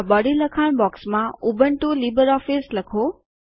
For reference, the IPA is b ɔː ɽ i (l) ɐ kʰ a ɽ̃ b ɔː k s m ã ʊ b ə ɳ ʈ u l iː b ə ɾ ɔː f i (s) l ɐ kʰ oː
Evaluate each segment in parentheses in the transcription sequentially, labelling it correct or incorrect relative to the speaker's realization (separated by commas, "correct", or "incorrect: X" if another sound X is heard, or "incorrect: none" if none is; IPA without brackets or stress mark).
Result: correct, correct